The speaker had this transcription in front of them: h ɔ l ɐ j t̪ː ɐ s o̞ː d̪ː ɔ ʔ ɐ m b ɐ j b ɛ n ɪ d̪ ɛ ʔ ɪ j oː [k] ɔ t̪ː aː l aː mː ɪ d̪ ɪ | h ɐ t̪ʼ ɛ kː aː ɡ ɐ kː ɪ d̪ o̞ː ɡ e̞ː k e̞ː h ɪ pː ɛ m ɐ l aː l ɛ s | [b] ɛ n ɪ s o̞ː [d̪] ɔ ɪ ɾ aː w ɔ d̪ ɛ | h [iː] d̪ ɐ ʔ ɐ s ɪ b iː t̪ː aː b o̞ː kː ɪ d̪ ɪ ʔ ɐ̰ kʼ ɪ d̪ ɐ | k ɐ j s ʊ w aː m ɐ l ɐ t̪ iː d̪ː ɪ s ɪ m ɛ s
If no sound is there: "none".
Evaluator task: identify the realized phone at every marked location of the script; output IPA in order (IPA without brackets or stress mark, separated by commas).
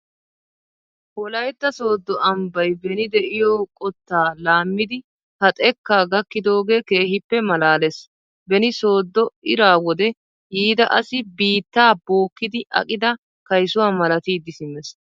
kʼ, b, d̪ː, iː